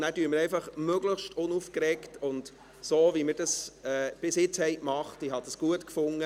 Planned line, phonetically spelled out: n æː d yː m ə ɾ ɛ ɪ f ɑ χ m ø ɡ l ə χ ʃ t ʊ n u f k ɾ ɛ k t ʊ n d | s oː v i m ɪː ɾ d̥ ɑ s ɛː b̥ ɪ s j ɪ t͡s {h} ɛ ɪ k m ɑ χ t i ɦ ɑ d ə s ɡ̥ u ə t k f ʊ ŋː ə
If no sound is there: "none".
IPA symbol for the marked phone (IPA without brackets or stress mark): h